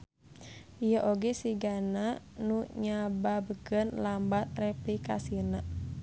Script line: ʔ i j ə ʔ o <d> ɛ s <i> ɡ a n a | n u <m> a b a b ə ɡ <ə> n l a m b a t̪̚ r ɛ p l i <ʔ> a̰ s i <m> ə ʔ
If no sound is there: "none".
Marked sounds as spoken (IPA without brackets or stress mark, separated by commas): ɡ, i, ɲ, ə, k, n